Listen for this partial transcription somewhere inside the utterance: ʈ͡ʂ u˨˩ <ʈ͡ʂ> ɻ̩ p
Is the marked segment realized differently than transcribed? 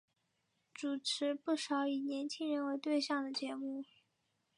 yes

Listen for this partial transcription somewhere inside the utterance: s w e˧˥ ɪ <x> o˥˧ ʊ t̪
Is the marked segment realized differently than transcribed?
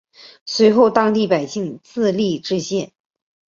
no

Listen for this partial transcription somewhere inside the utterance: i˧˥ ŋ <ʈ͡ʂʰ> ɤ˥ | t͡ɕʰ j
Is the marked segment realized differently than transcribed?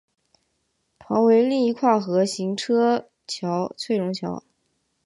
no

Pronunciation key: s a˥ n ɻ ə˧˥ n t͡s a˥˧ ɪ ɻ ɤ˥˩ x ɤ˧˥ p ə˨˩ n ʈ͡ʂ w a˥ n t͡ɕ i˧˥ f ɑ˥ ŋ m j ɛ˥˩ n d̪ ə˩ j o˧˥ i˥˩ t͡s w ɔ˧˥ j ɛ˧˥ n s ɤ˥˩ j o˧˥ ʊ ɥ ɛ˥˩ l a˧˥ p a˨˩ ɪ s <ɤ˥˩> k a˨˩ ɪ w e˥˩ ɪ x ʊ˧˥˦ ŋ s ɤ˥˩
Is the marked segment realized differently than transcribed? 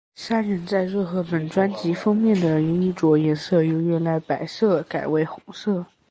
no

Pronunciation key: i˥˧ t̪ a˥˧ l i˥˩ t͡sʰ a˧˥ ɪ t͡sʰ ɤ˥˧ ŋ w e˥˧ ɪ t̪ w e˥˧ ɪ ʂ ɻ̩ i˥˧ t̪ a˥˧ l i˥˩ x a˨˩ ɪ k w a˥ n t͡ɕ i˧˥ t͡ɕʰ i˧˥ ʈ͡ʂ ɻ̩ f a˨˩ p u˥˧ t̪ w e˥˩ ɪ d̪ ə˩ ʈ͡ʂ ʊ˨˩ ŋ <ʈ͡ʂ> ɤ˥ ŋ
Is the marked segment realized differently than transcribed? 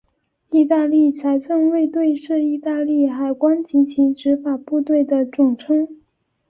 yes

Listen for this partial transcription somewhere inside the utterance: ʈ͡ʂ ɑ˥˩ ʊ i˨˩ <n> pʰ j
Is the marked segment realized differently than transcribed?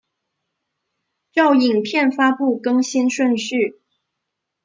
yes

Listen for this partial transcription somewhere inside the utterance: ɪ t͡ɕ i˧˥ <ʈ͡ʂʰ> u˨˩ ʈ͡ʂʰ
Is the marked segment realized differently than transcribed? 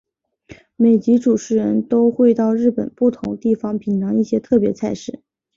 yes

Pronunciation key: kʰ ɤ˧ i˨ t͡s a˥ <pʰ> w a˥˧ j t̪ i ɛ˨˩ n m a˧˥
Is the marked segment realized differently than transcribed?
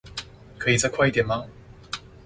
yes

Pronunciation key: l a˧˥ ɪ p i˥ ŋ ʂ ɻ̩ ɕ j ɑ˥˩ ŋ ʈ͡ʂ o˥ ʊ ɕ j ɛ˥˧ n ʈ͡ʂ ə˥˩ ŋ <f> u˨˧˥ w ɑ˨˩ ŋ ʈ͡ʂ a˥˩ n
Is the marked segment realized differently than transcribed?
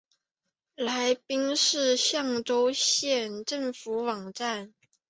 no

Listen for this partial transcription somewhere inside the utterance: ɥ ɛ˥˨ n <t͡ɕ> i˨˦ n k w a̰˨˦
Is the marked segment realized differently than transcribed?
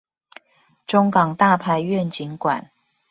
no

